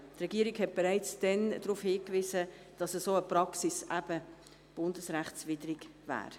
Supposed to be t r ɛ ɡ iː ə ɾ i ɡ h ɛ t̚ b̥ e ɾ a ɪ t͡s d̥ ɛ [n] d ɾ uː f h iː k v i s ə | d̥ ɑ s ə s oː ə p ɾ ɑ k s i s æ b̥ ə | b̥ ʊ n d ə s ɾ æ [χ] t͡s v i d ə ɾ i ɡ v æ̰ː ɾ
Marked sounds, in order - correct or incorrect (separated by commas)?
correct, correct